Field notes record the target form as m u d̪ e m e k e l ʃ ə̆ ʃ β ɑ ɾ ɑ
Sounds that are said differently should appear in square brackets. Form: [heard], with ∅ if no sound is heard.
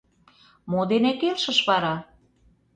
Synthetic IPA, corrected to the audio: m [o] d̪ e [n] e k e l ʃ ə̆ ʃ β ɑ ɾ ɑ